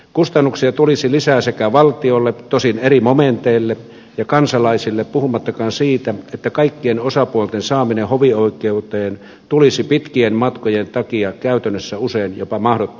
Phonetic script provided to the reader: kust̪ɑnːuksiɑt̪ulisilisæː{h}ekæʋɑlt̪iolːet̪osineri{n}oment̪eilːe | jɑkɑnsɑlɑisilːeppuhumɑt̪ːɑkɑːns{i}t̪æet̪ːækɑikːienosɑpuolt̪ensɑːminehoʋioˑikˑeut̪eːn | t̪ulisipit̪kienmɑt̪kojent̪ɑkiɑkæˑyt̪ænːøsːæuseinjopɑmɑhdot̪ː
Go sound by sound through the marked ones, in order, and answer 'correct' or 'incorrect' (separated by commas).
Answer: incorrect, incorrect, incorrect